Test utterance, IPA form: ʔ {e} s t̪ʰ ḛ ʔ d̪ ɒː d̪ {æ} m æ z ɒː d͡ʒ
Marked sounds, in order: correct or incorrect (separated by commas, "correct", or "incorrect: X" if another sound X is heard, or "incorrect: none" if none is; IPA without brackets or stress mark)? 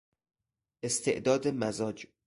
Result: correct, incorrect: e